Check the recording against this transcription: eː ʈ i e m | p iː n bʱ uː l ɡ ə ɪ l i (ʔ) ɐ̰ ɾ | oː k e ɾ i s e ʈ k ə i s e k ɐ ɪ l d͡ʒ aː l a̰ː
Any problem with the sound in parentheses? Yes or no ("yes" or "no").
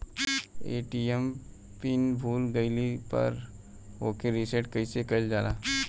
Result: yes